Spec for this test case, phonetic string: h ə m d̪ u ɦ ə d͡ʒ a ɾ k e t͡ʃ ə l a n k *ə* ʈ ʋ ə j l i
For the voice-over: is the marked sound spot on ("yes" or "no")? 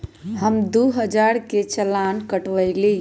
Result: yes